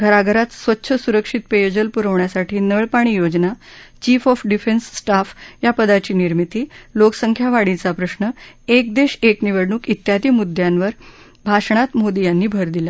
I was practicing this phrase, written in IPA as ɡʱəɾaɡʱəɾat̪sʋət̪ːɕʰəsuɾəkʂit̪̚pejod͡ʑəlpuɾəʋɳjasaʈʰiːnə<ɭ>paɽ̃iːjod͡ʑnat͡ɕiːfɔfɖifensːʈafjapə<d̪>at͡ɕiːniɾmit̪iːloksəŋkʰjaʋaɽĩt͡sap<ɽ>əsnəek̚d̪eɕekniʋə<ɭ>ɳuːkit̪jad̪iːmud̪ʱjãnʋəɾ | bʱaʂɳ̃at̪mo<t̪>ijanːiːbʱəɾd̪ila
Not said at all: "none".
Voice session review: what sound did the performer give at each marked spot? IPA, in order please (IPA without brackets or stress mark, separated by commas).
ɭ, d̪, ɾ, ɽ, d̪